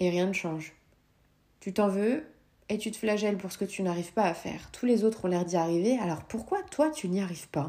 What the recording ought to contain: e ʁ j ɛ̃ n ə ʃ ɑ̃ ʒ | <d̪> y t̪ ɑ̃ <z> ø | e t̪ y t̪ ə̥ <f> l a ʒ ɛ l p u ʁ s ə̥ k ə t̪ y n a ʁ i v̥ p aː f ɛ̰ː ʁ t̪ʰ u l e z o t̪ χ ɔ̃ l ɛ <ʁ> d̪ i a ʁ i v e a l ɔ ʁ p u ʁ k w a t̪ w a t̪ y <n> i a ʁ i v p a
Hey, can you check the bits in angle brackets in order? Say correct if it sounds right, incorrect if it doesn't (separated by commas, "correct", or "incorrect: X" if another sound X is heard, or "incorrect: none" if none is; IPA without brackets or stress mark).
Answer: incorrect: t̪, incorrect: v, correct, correct, correct